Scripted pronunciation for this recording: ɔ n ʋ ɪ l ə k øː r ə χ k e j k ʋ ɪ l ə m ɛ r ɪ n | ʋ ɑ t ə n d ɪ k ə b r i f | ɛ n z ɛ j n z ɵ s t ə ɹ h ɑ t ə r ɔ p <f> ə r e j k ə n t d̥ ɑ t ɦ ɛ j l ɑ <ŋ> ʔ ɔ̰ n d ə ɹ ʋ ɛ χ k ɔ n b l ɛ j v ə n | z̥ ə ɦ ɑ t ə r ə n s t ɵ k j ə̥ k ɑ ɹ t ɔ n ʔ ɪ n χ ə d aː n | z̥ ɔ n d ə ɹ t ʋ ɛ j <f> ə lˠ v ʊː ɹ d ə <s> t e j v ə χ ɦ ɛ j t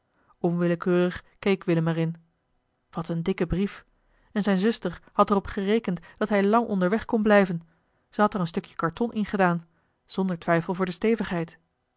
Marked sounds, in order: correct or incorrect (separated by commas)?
incorrect, correct, correct, correct